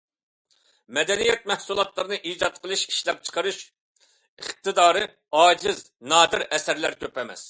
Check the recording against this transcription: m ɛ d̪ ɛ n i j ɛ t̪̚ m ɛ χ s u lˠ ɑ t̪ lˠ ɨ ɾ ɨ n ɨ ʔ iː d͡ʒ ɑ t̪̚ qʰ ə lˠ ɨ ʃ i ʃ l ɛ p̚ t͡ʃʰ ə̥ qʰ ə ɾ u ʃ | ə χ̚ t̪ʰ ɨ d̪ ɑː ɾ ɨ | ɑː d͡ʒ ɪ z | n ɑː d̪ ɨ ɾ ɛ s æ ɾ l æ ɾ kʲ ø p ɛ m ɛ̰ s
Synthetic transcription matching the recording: m ɛ d̪ ɛ n i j ɛ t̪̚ m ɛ h s u lˠ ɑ t̪ lˠ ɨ ɾ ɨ n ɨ ʔ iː d͡ʒ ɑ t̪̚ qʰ ə lˠ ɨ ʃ i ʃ l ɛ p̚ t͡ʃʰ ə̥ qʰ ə ɾ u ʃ | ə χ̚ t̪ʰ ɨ d̪ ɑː ɾ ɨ | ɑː d͡ʒ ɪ z | n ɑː d̪ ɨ ɾ ɛ s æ ɾ l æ ɾ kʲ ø p ɛ m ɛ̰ s